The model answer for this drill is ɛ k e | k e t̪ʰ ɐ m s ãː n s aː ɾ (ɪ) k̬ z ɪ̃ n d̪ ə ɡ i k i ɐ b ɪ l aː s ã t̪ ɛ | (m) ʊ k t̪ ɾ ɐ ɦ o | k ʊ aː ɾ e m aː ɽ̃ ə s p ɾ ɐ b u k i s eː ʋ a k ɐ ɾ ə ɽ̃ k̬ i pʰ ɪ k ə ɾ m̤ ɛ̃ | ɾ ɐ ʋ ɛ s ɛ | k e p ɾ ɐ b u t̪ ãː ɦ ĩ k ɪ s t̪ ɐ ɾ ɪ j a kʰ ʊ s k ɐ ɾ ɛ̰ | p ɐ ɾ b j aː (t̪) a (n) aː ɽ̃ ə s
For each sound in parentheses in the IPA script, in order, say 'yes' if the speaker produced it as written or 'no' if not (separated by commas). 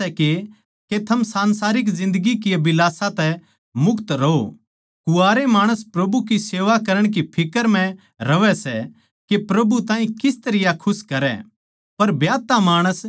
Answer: yes, yes, yes, no